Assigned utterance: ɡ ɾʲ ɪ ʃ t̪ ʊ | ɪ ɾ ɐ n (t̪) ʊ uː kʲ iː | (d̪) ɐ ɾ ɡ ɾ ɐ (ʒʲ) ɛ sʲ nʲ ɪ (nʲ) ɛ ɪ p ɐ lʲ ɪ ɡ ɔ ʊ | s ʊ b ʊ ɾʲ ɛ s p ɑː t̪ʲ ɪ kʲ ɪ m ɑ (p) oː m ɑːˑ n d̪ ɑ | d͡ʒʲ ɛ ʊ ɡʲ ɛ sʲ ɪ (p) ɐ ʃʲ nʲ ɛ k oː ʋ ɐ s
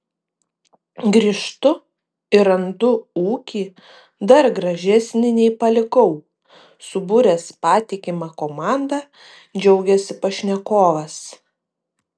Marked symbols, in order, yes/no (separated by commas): no, yes, yes, yes, no, yes